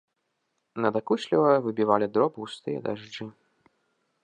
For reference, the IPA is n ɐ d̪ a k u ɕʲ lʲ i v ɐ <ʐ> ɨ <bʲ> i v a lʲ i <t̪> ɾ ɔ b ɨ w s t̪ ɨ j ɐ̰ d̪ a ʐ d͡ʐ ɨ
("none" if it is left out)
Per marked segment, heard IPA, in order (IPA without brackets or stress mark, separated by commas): v, bʲ, d̪